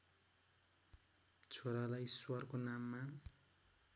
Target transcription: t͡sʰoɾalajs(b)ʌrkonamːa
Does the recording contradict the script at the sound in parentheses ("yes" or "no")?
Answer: yes